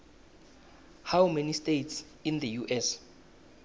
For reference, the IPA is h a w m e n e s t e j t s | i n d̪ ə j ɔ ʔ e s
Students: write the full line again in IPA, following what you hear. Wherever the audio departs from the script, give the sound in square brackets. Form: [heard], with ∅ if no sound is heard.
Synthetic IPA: h a w m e n [i] s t e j t s | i n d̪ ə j [u] ʔ [ɛ] s

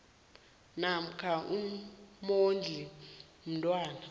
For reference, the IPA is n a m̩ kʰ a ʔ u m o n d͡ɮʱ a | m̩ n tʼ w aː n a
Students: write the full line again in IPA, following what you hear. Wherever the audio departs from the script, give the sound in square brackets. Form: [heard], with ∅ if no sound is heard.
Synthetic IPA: n a m̩ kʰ a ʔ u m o n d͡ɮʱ [i] | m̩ n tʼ w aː n a

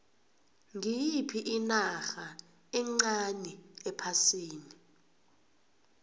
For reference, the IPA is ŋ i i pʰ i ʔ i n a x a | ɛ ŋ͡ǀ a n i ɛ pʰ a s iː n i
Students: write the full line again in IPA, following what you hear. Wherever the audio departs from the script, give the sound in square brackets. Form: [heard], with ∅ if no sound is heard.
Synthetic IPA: ŋ i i pʰ i ʔ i n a x a | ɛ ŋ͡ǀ a n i ɛ pʰ a s iː n i

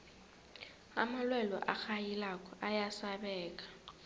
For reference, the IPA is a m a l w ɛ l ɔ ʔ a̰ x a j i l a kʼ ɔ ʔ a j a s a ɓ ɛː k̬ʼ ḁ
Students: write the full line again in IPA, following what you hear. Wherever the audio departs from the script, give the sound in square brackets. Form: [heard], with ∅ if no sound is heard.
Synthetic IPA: a m a l w ɛ l ɔ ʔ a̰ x a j i l a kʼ ɔ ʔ a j a s a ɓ ɛː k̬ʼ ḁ

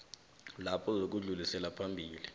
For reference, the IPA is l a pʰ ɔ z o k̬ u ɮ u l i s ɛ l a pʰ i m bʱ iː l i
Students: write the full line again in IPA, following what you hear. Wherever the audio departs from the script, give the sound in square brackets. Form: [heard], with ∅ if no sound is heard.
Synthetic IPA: l a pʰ ɔ z o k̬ u ɮ u l i s ɛ l a pʰ [a] m bʱ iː l i

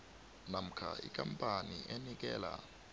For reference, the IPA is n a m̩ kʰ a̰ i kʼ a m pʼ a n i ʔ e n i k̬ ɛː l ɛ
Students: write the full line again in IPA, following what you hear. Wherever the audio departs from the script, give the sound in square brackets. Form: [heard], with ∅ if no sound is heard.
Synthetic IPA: n a m̩ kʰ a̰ i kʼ a m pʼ a n i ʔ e n i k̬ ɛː l [a]

